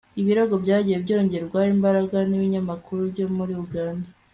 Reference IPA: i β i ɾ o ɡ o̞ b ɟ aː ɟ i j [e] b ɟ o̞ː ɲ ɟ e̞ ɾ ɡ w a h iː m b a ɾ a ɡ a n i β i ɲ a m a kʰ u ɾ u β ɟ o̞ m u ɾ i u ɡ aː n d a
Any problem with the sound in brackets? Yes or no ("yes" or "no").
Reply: no